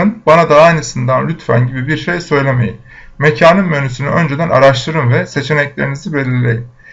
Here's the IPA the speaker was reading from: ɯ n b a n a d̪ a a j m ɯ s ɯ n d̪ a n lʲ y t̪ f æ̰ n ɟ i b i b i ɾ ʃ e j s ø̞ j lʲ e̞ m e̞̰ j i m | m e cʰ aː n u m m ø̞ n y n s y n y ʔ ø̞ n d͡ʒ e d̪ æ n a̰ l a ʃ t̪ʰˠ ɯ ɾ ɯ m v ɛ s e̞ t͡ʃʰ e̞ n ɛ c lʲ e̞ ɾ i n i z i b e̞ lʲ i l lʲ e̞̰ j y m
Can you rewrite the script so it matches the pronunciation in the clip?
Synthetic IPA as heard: ɯ n b a n a d̪ a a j n ɯ s ɯ n d̪ a n lʲ y t̪ f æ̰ n ɟ i b i b i ɾ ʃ e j s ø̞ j lʲ e̞ m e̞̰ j i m | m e cʰ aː n ɯ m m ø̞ n y s y n y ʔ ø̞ n d͡ʒ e d̪ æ n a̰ ɾ a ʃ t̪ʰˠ ɯ ɾ ɯ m v ɛ s e̞ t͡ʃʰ e̞ n ɛ c lʲ e̞ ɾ i n i z i b e̞ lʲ i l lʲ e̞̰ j i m

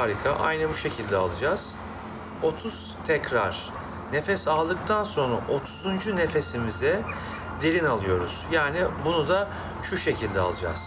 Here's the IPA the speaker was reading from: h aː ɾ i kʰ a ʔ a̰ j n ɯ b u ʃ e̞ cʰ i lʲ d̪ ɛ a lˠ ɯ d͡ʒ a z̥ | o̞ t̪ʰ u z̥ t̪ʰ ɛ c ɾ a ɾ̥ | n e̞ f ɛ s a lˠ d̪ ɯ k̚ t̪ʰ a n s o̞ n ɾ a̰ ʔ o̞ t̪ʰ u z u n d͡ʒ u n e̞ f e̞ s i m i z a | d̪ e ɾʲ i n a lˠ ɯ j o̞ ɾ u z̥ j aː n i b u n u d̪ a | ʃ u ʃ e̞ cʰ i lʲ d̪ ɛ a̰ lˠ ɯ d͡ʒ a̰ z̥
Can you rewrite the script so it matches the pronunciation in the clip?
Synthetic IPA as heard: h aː ɾ i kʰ a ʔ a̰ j n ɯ b u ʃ e̞ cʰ i lʲ d̪ ɛ a lˠ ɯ d͡ʒ a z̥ | o̞ t̪ʰ u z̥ t̪ʰ ɛ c ɾ a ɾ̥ | n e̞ f ɛ s a lˠ d̪ ɯ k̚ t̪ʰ a n s o̞ n ɾ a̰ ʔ o̞ t̪ʰ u z u n d͡ʒ u n e̞ f e̞ s i m i z ɛ | d̪ e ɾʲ i n a lˠ ɯ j o̞ ɾ u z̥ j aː n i b u n u d̪ a | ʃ u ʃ e̞ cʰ i lʲ d̪ ɛ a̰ lˠ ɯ d͡ʒ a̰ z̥

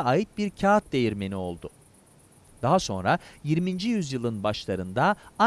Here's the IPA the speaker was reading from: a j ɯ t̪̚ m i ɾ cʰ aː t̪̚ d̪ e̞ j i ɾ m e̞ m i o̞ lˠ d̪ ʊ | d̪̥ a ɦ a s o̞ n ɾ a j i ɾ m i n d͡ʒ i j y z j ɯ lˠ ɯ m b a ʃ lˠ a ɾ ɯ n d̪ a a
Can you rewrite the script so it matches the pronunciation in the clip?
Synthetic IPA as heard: a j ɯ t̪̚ b i ɾ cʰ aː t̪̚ d̪ e̞ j i ɾ m e̞ n i o̞ lˠ d̪ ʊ | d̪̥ a ɦ a s o̞ n ɾ a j i ɾ m i n d͡ʒ i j y z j ɯ lˠ ɯ n b a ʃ lˠ a ɾ ɯ n d̪ a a

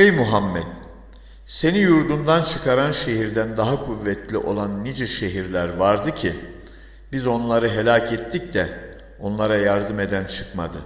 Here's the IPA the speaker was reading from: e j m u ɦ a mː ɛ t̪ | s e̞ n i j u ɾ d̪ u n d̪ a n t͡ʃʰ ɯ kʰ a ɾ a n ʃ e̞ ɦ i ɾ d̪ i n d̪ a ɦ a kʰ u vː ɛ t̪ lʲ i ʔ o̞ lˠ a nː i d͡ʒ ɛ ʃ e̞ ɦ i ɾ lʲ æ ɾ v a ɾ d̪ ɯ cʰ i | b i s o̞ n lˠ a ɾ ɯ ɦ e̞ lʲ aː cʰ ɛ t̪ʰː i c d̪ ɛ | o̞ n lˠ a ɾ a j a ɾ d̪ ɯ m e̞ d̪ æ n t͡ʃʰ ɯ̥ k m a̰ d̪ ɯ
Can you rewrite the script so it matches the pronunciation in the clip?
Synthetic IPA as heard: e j m u ɦ a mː ɛ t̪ | s e̞ n i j u ɾ d̪ u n d̪ a n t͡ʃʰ ɯ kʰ a ɾ a n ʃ e̞ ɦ i ɾ d̪ æ n d̪ a ɦ a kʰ u vː ɛ t̪ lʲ i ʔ o̞ lˠ a nː i d͡ʒ ɛ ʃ e̞ ɦ i ɾ lʲ æ ɾ v a ɾ d̪ ɯ cʰ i | b i z o̞ n lˠ a ɾ ɯ ɦ e̞ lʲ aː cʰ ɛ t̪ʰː i c d̪ ɛ | o̞ n lˠ a ɾ a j a ɾ d̪ ɯ m e̞ d̪ æ n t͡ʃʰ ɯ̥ k m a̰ d̪ ɯ

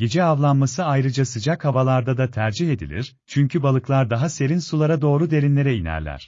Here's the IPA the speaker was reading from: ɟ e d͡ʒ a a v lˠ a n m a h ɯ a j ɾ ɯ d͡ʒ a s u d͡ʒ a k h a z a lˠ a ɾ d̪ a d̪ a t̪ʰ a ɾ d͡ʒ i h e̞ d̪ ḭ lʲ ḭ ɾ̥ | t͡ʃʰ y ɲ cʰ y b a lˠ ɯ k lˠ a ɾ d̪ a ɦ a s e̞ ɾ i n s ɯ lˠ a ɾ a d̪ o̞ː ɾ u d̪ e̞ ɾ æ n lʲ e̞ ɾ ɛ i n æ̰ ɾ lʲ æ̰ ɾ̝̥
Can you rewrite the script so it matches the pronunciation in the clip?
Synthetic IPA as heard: ɟ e d͡ʒ ɛ a v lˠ a n m a s ɯ a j ɾ ɯ d͡ʒ a s ɯ d͡ʒ a k h a v a lˠ a ɾ d̪ a d̪ a t̪ʰ æ ɾ d͡ʒ i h e̞ d̪ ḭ lʲ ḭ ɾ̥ | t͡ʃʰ y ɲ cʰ y b a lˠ ɯ k lˠ a ɾ d̪ a ɦ a s e̞ ɾ i n s u lˠ a ɾ a d̪ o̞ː ɾ u d̪ e̞ ɾ i n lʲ e̞ ɾ ɛ i n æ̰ ɾ lʲ æ̰ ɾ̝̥

